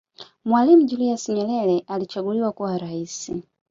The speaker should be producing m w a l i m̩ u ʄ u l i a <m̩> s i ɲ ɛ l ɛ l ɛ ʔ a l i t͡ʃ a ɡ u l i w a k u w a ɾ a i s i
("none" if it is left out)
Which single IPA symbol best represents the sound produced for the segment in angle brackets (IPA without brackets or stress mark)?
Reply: none